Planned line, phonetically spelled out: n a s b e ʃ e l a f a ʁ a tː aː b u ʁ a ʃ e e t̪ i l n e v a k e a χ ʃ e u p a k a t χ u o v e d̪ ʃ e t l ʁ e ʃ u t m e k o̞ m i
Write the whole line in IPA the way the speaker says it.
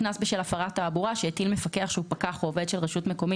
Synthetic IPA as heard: n a s b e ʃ e l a f a ʁ a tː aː b u ʁ a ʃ e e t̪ i l m e f a k e a χ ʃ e u p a k a χ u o v e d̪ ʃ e l ʁ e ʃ u t m e k o̞ m i